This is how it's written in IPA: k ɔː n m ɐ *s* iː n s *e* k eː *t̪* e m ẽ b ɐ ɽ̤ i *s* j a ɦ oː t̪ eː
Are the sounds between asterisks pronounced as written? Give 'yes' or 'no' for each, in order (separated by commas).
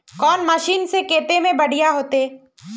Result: no, yes, yes, no